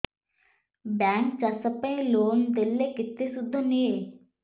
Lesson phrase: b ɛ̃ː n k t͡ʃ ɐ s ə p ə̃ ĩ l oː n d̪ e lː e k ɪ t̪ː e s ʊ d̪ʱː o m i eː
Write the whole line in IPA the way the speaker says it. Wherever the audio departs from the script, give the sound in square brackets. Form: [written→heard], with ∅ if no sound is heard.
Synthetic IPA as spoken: b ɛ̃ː [n→ŋ] k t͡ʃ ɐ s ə p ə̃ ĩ l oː n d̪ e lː e k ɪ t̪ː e s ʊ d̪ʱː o [m→n] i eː

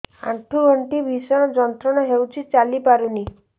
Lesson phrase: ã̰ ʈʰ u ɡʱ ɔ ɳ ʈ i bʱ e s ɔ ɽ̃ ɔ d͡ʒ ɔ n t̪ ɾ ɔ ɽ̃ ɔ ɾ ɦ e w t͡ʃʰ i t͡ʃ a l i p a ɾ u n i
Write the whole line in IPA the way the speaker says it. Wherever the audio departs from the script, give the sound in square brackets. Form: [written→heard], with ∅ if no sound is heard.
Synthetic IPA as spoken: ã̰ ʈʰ u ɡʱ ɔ ɳ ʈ i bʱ [e→i] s ɔ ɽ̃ ɔ d͡ʒ ɔ n t̪ ɾ ɔ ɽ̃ ɔ [ɾ→∅] ɦ e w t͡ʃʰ i t͡ʃ a l i p a ɾ u n i

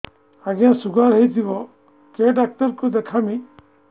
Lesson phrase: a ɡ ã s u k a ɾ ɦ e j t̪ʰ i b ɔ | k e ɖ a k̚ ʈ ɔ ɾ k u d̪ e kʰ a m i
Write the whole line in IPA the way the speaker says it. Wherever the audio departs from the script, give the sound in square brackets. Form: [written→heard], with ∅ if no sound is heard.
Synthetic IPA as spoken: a ɡ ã s u [k→ɡ] a ɾ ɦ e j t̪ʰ i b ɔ | k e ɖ a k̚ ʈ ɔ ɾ k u d̪ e kʰ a m i

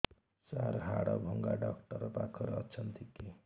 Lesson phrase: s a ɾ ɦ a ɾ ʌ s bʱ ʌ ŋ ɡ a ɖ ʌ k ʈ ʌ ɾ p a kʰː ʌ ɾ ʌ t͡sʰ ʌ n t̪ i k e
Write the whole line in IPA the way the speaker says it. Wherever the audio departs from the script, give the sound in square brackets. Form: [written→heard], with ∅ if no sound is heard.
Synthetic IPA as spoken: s a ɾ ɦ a [ɾ→ɽ] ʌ [s→∅] bʱ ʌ ŋ ɡ a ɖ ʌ k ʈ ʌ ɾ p a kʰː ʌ ɾ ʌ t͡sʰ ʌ n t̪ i k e

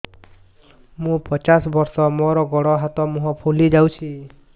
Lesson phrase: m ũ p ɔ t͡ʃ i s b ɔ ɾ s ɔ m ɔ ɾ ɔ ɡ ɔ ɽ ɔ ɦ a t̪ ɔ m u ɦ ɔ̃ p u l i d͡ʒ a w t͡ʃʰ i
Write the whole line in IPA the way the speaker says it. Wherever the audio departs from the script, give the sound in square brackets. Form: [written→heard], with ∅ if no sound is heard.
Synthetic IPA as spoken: m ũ p ɔ t͡ʃ [i→a] s b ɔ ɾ s ɔ m ɔ ɾ ɔ ɡ ɔ ɽ ɔ ɦ a t̪ ɔ m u ɦ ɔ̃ [p→pʰ] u l i d͡ʒ a w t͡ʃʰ i

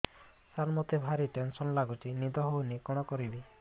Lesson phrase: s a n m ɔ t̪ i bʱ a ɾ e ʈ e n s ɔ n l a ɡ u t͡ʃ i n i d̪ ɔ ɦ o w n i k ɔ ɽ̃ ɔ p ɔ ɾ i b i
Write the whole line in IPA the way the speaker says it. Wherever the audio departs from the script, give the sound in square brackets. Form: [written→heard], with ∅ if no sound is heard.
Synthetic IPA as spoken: s a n m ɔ t̪ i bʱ a ɾ [e→i] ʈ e n s ɔ n l a ɡ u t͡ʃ i n i d̪ ɔ ɦ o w n i k ɔ ɽ̃ ɔ [p→k] ɔ ɾ i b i

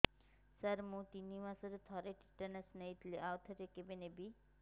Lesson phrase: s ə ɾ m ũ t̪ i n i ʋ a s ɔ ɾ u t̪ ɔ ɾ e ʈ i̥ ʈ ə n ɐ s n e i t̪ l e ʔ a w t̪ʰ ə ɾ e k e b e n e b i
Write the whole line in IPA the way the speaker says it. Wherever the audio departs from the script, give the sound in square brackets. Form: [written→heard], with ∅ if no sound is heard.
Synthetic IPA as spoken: s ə ɾ m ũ t̪ i n i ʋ a s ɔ ɾ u [t̪→t̪ʰ] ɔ ɾ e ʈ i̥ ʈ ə n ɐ s n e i t̪ l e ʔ a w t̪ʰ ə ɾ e k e b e n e b i

